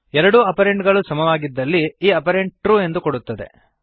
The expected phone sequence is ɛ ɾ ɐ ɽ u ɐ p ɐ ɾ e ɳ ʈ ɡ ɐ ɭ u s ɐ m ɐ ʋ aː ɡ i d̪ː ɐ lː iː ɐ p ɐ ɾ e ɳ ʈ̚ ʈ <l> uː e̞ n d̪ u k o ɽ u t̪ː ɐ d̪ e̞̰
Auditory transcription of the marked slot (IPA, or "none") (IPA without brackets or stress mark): ɾ